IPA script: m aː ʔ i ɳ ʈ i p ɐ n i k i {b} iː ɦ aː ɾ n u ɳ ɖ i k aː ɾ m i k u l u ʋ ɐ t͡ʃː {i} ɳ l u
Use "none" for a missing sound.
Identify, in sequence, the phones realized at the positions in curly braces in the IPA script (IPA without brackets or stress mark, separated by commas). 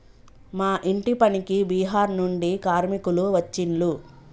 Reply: b, i